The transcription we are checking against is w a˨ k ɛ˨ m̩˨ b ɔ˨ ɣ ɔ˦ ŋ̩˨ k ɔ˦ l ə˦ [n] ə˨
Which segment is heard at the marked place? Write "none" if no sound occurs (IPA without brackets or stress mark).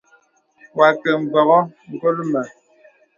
m